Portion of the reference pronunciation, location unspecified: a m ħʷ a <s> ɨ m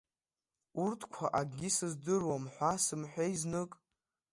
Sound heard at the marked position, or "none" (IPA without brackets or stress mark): s